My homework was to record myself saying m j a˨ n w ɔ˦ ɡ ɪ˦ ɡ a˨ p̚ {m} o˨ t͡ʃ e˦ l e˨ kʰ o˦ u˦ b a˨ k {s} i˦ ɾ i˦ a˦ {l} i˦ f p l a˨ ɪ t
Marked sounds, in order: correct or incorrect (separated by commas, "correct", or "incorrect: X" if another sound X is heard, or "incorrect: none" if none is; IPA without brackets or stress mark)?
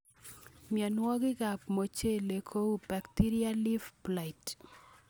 correct, incorrect: t, correct